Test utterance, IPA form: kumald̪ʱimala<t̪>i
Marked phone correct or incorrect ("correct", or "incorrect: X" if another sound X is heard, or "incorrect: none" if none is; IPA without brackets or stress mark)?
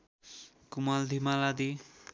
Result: incorrect: d̪